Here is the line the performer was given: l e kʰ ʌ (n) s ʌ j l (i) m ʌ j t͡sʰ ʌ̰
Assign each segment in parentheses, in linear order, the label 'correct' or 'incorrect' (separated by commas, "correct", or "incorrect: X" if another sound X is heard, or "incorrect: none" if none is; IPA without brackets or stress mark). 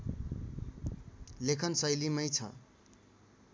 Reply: correct, correct